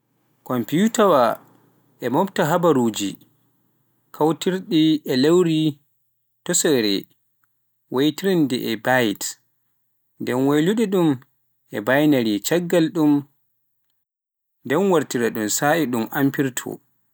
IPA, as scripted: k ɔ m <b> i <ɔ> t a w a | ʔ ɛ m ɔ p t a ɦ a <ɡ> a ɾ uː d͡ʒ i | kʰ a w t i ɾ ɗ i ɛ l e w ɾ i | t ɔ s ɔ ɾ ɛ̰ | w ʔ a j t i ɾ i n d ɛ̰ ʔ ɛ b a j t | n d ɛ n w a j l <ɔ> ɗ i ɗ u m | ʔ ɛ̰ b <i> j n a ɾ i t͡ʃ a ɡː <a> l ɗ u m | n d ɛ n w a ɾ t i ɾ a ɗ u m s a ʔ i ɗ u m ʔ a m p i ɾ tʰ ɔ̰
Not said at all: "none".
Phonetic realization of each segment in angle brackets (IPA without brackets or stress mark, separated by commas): p, u, b, u, a, a